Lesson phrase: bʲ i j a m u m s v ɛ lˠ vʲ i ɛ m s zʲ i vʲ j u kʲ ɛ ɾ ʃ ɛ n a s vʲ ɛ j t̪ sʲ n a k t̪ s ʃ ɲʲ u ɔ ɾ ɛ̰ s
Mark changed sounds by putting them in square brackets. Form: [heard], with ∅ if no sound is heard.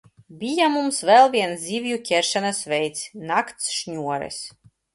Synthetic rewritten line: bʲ i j a m u m s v ɛ lˠ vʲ i ɛ [n] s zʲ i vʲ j u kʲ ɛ ɾ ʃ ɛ n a s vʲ ɛ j t̪ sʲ n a k t̪ s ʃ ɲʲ u ɔ ɾ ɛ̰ s